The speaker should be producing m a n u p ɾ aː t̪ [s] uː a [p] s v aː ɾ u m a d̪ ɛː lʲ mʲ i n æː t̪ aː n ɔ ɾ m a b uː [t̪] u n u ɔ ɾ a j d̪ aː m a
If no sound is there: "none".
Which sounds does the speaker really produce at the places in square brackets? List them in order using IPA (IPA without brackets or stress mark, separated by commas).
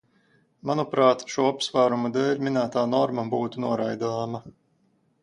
ʃ, p, t̪